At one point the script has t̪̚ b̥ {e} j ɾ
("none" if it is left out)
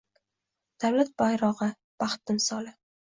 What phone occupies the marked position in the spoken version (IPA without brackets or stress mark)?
a